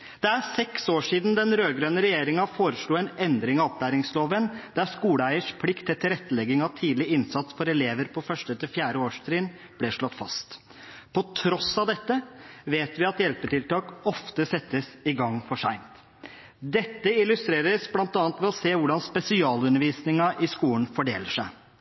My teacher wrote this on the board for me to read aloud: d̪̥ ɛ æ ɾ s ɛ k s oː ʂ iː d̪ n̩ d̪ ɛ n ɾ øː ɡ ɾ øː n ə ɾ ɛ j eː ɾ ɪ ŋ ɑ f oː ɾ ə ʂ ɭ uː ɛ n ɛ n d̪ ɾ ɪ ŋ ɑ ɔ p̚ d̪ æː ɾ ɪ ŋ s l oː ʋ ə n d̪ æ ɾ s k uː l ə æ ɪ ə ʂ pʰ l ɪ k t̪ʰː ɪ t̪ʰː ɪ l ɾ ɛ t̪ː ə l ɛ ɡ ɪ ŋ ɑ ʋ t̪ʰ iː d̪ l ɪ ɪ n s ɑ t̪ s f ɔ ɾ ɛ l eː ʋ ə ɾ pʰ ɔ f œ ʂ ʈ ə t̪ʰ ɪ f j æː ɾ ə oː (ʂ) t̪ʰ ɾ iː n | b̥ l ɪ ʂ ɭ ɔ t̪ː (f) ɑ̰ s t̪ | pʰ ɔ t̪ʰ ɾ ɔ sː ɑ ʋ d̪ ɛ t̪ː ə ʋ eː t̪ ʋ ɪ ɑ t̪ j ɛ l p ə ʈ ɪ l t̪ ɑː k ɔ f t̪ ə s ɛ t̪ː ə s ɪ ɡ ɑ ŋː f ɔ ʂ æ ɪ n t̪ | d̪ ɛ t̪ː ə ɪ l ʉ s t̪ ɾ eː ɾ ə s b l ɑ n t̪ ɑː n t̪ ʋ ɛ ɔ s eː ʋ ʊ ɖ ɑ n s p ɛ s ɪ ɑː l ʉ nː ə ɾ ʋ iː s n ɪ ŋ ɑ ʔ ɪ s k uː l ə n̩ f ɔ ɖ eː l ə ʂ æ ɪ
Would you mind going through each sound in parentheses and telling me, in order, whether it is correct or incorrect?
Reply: correct, correct

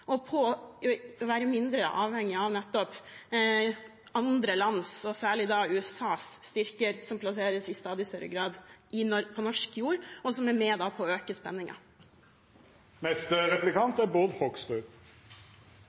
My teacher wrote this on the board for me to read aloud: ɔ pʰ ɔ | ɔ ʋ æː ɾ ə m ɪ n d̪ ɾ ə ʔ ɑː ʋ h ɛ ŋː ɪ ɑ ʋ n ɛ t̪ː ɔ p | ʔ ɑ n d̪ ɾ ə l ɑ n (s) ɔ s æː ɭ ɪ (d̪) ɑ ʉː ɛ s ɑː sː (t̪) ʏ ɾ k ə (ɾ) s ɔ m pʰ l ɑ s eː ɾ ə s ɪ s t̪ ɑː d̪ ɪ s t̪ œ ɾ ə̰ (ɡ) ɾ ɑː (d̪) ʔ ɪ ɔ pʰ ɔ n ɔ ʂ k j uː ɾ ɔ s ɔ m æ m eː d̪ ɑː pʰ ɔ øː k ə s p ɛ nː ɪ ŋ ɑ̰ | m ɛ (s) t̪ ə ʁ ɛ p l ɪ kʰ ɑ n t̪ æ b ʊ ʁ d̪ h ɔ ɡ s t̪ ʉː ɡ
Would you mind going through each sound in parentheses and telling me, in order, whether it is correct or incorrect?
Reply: correct, correct, correct, correct, correct, correct, correct

